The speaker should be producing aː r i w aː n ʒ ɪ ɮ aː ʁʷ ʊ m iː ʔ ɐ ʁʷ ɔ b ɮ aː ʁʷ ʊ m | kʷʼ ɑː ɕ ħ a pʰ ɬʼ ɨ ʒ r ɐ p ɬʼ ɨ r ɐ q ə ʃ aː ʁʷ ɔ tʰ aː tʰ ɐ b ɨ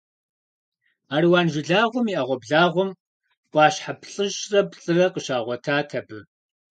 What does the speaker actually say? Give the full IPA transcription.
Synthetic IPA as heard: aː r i w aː n ʒ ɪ ɮ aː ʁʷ ʊ m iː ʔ ɐ ʁʷ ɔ b ɮ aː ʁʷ ʊ m | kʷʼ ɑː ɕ ħ a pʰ ɬʼ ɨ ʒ r ɐ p ɬʼ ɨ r ɐ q ə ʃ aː ʁʷ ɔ tʰ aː tʰ ɐ b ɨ

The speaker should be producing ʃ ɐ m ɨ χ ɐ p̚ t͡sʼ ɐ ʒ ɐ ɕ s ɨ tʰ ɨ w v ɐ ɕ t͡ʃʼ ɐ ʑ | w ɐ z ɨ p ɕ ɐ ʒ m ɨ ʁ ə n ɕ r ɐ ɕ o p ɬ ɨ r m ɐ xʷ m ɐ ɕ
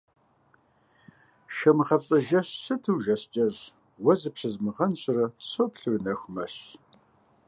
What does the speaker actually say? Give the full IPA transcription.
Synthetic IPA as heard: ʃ ɐ m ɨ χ ɐ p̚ t͡sʼ ɐ ʒ ɐ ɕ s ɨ tʰ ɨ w ʒ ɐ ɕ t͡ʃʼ ɐ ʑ | w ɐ z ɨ p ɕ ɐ z m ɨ ʁ ɐ n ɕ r ɐ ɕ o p ɬ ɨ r n ɐ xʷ m ɐ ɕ

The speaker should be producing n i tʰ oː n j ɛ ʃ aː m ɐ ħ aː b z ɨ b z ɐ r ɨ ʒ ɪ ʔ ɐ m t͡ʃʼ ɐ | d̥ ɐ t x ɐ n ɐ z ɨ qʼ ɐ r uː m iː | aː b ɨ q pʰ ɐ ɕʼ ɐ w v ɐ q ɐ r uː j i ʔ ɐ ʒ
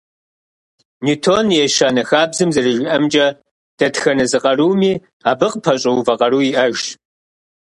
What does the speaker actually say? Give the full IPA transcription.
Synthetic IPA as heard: n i tʰ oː n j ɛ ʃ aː n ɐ x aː b z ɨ m z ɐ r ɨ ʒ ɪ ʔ ɐ m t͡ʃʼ ɐ | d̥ ɐ t x ɐ n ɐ z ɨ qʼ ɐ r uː m iː | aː b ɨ q pʰ ɐ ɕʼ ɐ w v ɐ q ɐ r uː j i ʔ ɐ ʒ

